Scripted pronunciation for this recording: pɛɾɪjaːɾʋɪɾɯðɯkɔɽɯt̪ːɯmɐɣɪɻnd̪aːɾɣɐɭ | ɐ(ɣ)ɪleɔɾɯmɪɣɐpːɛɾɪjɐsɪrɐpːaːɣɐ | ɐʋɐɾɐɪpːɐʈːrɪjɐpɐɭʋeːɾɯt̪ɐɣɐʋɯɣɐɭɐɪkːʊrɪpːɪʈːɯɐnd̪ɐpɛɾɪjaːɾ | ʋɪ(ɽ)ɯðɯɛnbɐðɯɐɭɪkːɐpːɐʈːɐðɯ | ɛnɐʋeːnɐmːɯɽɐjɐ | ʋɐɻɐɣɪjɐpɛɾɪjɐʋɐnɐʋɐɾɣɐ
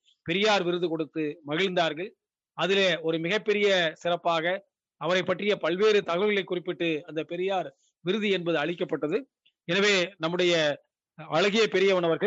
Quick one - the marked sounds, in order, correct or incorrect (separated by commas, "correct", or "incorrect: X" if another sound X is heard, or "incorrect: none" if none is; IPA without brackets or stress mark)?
incorrect: ð, incorrect: ɾ